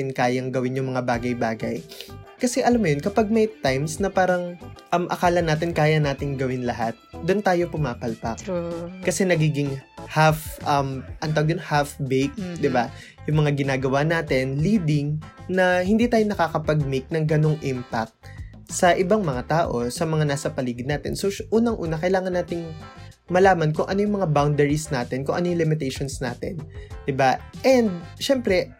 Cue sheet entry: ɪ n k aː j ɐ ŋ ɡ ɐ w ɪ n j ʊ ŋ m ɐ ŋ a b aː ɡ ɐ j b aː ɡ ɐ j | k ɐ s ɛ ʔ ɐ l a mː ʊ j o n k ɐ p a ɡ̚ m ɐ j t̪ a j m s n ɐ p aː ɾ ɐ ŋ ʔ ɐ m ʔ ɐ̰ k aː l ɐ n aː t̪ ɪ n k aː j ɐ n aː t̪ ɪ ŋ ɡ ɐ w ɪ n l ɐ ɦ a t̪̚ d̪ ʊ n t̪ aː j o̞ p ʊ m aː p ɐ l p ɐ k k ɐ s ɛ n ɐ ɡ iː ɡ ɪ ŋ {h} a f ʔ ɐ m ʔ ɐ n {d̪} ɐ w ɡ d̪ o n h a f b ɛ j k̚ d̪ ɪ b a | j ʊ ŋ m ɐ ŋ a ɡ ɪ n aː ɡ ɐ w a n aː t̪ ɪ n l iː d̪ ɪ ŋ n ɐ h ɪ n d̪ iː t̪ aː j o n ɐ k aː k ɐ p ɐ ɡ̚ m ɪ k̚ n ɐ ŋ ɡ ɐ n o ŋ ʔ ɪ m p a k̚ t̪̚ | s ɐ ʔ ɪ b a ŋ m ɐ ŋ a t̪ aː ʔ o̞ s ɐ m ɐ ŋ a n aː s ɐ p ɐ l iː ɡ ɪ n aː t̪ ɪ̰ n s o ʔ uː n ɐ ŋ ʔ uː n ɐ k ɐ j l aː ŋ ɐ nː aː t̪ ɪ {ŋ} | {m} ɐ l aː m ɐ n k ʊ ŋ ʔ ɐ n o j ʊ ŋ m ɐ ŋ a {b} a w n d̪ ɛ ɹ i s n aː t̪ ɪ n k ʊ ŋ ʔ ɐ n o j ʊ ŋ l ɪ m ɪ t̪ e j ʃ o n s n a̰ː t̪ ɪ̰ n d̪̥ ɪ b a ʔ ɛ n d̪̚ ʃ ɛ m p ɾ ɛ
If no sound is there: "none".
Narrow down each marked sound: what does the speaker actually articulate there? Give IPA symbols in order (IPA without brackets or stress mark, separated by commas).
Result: h, t̪, ŋ, m, b